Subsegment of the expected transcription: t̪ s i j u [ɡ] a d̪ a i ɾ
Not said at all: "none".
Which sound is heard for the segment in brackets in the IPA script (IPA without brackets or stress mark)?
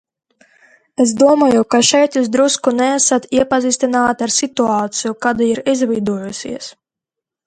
k